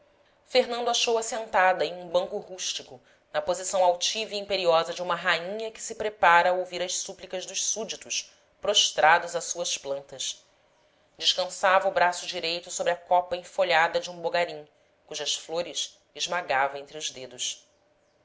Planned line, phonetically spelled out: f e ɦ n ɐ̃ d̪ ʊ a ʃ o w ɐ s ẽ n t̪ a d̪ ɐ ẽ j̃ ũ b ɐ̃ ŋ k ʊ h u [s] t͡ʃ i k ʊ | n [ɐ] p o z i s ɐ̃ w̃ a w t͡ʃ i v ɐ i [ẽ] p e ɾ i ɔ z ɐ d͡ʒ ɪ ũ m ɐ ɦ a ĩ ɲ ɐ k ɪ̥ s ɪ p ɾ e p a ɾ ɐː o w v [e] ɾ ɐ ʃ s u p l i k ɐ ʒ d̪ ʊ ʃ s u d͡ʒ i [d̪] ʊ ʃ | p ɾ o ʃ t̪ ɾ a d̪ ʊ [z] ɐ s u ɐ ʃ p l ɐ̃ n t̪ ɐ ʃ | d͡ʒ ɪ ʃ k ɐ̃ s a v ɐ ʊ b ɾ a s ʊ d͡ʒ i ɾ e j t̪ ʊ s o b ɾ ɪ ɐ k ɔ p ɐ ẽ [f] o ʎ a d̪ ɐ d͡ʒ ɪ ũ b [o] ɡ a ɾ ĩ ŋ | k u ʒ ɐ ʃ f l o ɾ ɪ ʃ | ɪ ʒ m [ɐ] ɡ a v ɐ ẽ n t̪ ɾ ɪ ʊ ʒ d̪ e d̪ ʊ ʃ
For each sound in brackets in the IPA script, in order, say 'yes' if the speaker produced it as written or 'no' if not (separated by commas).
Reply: no, yes, no, no, no, yes, yes, yes, no